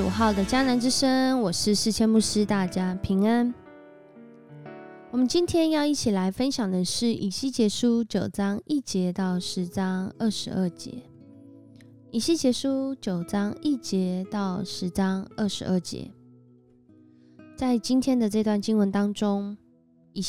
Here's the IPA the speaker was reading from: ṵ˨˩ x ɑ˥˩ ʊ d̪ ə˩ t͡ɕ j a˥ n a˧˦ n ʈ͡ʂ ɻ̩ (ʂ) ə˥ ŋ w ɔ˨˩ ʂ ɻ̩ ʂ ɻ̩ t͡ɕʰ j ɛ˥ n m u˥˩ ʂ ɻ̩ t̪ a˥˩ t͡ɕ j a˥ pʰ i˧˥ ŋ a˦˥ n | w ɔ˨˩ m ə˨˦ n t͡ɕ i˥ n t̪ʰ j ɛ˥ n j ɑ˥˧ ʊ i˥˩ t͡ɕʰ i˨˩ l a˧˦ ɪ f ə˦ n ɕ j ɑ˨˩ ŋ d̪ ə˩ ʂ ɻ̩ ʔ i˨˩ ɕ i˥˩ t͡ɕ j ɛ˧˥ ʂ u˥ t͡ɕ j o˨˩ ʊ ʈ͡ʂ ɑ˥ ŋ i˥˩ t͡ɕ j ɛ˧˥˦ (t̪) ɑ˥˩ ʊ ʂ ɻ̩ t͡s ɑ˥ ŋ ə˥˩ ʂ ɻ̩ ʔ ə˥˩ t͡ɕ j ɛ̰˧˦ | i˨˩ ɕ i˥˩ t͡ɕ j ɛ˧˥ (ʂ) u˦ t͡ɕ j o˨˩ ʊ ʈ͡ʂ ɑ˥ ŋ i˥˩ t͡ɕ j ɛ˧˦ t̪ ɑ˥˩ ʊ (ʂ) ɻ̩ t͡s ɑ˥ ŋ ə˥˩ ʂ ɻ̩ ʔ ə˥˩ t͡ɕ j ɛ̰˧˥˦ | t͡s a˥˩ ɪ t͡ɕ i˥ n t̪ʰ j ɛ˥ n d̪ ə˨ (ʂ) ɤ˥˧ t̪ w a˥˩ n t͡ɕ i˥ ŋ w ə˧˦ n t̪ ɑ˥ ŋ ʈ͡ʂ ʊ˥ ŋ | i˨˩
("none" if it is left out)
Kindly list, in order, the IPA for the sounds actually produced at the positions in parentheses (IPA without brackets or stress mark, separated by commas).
ʂ, t̪, ʂ, ʂ, ʈ͡ʂ